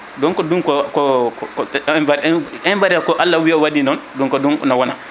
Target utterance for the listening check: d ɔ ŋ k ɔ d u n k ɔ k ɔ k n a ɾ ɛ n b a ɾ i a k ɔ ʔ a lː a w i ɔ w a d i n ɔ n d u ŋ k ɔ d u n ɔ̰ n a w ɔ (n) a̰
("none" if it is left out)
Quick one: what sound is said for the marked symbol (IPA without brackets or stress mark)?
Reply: n